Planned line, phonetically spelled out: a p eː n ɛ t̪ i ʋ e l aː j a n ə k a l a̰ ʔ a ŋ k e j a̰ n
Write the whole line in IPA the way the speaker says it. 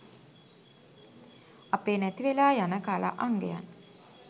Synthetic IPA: a p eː n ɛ t̪ i ʋ e l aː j a n ə k a l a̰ ʔ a ŋ ɡ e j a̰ n